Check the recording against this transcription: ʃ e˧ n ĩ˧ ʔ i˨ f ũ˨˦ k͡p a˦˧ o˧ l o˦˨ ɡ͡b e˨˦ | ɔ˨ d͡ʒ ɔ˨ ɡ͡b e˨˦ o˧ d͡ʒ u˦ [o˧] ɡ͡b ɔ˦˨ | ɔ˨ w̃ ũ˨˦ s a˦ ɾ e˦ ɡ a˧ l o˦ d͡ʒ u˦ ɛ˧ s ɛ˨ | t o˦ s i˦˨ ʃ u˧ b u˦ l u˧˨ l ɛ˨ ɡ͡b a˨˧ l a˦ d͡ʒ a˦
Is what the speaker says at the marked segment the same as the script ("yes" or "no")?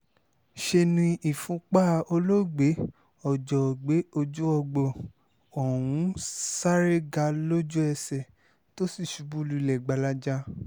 no